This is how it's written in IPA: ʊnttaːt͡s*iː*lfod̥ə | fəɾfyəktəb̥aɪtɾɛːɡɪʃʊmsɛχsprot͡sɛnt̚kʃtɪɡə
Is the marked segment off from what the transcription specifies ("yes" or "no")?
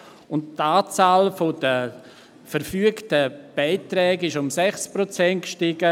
yes